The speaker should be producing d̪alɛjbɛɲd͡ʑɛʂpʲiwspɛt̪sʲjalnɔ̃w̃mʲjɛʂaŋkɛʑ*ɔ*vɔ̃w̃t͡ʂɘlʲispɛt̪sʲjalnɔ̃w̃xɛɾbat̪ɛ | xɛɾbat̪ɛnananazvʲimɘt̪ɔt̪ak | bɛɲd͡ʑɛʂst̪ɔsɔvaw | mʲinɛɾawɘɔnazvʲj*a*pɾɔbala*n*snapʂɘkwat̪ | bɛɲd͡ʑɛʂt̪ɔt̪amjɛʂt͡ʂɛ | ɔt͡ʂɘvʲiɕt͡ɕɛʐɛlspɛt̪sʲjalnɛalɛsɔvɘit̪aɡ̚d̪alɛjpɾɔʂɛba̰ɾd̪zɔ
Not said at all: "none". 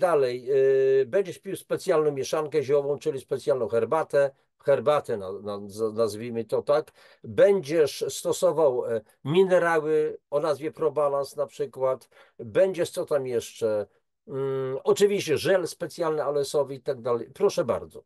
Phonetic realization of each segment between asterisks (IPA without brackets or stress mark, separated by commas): ɔ, ɛ, n